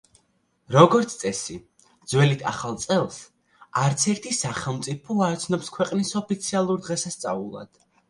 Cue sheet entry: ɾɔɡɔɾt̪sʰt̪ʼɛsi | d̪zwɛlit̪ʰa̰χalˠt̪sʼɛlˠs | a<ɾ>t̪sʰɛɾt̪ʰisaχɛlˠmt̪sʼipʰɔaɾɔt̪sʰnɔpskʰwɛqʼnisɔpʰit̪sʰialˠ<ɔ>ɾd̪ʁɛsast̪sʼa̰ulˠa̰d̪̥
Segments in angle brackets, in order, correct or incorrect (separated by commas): correct, incorrect